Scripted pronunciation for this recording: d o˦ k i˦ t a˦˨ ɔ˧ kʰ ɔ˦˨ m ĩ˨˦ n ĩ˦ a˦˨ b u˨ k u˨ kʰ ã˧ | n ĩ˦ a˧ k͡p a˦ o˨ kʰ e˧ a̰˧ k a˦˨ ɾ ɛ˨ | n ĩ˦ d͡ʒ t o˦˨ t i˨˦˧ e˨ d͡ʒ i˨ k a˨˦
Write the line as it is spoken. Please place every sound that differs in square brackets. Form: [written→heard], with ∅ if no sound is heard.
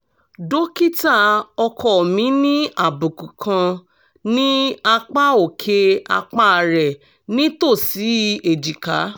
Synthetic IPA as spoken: d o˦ k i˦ t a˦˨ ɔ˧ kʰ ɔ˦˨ m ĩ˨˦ n ĩ˦ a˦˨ b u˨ k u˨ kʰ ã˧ | n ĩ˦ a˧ k͡p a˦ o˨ kʰ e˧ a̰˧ [k→k͡p] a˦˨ ɾ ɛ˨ | n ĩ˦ [d͡ʒ→∅] t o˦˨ [t→s] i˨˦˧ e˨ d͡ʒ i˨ k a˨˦

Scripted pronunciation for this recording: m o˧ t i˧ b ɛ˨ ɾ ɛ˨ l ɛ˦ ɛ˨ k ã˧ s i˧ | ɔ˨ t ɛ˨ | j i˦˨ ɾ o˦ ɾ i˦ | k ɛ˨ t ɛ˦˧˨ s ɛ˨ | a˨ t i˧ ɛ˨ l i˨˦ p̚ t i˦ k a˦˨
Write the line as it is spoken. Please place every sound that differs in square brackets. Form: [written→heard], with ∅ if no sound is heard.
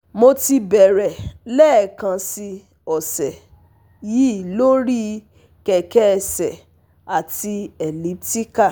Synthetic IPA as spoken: m o˧ t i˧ b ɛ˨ ɾ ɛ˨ l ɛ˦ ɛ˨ k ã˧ s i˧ | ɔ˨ [t→s] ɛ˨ | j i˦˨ [ɾ→l] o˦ ɾ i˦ | k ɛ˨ [t→k] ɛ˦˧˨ s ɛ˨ | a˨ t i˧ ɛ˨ l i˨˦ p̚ t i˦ k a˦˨

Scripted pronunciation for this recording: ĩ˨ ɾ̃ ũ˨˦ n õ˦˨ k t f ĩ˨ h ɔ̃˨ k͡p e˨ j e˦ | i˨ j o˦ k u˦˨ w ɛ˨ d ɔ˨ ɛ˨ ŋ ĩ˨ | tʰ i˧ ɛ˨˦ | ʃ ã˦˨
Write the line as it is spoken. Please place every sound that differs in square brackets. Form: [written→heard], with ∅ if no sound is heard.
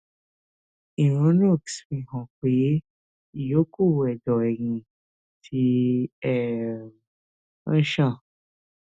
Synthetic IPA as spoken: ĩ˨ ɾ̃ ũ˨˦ n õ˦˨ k [t→s] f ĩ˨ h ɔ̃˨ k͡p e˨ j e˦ | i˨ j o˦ k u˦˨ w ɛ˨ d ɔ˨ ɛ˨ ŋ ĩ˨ | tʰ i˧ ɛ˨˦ | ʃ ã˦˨

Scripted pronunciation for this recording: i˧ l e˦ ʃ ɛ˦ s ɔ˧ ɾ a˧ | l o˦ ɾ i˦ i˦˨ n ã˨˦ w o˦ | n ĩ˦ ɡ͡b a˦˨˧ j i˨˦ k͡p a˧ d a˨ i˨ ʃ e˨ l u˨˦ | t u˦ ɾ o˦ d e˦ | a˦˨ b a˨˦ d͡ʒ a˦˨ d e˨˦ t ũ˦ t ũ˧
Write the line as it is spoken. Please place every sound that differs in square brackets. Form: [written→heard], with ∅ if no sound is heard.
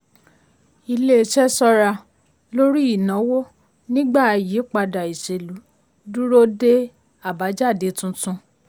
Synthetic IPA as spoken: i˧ l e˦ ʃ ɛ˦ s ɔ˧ ɾ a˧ | l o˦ ɾ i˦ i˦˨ n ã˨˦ w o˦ | n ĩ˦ ɡ͡b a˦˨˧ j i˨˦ k͡p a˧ d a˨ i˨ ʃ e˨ l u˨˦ | [t→d] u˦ ɾ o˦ d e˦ | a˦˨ b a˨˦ d͡ʒ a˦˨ d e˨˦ t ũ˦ t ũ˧

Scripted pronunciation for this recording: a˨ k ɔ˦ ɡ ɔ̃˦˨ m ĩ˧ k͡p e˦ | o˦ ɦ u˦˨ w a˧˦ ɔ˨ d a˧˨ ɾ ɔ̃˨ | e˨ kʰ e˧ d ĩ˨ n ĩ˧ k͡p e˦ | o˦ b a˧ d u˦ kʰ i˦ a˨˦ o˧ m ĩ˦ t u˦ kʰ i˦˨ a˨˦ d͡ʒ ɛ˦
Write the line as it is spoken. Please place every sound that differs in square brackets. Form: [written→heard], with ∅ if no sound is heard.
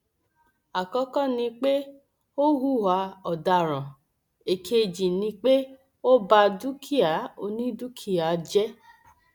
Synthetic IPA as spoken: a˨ k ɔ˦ [ɡ→k] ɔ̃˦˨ [m→n] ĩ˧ k͡p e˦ | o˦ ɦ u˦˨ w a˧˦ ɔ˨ d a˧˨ ɾ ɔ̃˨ | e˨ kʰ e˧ [d→d͡ʒ] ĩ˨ n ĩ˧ k͡p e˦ | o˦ b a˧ d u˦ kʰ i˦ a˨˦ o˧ [m→n] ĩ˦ [t→d] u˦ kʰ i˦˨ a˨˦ d͡ʒ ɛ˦

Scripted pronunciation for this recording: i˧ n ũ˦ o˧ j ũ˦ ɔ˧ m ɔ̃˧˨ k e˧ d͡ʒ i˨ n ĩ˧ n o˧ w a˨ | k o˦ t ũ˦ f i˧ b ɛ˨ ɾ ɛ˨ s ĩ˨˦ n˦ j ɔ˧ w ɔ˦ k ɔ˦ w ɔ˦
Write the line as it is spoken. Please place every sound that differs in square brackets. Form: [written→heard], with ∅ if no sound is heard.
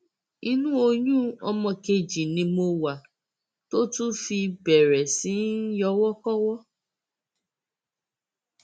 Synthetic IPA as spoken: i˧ n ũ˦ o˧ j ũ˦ ɔ˧ m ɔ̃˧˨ k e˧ d͡ʒ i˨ n ĩ˧ [n→m] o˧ w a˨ | [k→t] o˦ t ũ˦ f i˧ b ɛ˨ ɾ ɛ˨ s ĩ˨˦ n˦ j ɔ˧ w ɔ˦ k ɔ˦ w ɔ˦

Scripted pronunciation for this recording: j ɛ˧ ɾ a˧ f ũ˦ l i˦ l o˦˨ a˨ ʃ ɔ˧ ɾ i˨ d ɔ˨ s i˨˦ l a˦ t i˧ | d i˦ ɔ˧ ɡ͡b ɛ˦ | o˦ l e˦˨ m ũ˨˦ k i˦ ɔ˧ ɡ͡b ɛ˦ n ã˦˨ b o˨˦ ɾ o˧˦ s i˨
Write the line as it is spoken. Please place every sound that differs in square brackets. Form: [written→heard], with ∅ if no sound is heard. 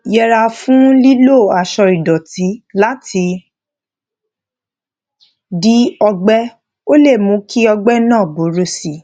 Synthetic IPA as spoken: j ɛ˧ ɾ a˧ f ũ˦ l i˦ l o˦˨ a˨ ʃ ɔ˧ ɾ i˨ d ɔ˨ [s→t] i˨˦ l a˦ t i˧ | d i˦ ɔ˧ ɡ͡b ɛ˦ | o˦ l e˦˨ m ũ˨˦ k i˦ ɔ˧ ɡ͡b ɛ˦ n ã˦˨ b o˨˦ ɾ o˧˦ s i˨

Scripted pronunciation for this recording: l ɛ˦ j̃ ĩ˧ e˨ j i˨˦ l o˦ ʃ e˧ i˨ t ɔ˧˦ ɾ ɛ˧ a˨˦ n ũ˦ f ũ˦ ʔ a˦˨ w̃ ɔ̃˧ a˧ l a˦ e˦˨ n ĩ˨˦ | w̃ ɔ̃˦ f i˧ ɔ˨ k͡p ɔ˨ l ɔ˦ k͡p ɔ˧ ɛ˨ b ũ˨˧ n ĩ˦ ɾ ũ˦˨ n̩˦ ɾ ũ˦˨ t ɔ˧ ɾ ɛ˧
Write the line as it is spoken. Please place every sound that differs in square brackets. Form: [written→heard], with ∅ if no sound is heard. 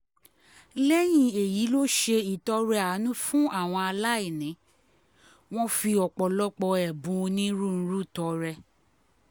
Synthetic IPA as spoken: l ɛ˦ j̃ ĩ˧ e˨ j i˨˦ l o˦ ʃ e˧ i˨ t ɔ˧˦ ɾ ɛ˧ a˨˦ n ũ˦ f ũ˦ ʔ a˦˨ w̃ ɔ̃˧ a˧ l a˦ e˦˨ n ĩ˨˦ | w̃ ɔ̃˦ f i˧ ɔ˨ k͡p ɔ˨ l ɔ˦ k͡p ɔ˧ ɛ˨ b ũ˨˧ n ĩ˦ ɾ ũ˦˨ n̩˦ ɾ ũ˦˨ t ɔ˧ ɾ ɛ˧

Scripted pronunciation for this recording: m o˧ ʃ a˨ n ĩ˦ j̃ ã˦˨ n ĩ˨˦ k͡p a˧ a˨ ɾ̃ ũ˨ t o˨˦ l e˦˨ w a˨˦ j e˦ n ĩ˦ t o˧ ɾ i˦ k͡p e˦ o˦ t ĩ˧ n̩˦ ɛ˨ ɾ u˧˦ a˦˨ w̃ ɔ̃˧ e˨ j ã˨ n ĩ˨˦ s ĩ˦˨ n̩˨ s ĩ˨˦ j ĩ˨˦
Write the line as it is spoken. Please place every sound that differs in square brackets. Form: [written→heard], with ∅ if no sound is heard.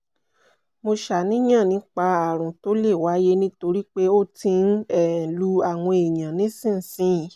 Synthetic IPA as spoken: m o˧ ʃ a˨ n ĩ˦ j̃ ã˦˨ n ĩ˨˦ k͡p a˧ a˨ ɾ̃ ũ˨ t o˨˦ l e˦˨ w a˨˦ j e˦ n ĩ˦ t o˧ ɾ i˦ k͡p e˦ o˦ t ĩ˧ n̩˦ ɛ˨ [ɾ→l] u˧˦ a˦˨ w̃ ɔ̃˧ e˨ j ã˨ n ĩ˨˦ s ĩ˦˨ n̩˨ s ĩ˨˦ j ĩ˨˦

